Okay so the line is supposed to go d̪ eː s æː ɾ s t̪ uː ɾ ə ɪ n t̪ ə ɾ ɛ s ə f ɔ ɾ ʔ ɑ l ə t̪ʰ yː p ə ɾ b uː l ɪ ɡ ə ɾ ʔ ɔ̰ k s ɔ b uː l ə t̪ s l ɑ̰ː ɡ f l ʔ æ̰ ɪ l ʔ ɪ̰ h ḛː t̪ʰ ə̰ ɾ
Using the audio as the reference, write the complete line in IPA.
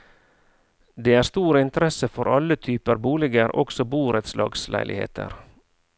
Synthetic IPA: d̪ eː æː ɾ s t̪ uː ɾ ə ɪ n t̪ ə ɾ ɛ s ə f ɔ ɾ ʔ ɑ l ə t̪ʰ yː p ə ɾ b uː l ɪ ɡ ə ɾ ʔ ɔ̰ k s ɔ b uː ɾ ə t̪ s l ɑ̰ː ɡ s l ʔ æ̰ ɪ l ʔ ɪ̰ h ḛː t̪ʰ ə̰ ɾ